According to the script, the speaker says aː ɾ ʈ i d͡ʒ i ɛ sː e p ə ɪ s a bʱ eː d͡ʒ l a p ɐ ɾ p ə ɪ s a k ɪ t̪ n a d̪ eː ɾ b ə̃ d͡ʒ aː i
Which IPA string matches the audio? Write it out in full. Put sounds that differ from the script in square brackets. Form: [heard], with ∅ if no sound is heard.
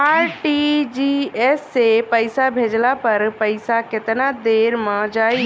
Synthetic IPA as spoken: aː ɾ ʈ i d͡ʒ i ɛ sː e p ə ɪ s a bʱ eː d͡ʒ l a p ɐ ɾ p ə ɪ s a k ɪ t̪ n a d̪ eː ɾ [m] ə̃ d͡ʒ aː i